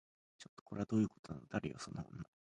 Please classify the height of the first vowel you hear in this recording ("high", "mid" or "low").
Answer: mid